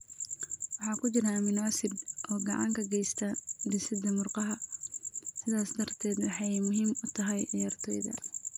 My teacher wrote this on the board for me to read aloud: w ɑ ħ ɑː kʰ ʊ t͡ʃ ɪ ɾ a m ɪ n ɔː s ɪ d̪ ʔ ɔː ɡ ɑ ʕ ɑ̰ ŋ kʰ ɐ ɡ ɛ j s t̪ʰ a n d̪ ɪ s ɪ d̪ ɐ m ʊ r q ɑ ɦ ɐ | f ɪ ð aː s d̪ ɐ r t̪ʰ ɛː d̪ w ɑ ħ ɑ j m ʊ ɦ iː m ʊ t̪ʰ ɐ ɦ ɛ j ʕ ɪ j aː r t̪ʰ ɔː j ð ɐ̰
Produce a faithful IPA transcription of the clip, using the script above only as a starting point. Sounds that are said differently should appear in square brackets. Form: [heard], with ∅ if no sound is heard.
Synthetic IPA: w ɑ ħ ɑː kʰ ʊ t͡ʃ ɪ ɾ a m ɪ n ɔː s ɪ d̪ ʔ ɔː ɡ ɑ ʕ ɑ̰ ŋ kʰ ɐ ɡ ɛ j s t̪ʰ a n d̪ ɪ s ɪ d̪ ɐ m ʊ r q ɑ ɦ ɐ | [s] ɪ ð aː s d̪ ɐ r t̪ʰ ɛː d̪ w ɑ ħ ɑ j m ʊ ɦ iː m ʊ t̪ʰ ɐ ɦ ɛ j ʕ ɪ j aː r t̪ʰ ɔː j ð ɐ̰